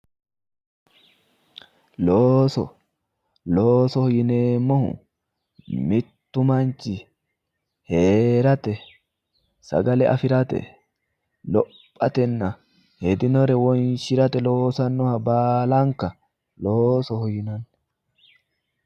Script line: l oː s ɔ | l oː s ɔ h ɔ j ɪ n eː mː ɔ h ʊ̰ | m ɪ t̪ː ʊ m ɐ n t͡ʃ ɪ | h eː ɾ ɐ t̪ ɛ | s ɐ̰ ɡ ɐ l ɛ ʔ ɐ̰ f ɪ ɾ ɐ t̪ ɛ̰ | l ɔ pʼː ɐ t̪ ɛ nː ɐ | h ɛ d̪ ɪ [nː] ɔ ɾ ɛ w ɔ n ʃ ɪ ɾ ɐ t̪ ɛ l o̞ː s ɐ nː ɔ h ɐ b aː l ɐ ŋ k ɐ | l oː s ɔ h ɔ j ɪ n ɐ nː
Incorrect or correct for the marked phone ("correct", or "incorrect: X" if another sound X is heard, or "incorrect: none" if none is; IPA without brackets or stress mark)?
incorrect: n